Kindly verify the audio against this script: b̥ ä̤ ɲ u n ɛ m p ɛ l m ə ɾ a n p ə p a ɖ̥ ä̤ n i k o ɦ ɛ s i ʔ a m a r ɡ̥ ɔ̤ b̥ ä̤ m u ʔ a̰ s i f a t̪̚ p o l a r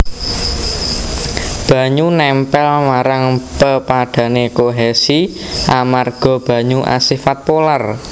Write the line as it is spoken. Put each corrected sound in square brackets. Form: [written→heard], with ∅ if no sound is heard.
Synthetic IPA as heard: b̥ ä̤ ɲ u n ɛ m p ɛ l m [ə→a] ɾ a [n→ŋ] p ə p a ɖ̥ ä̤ n [i→e] k o ɦ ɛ s i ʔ a m a r ɡ̥ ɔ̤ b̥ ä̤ [m→ɲ] u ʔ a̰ s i f a t̪̚ p o l a r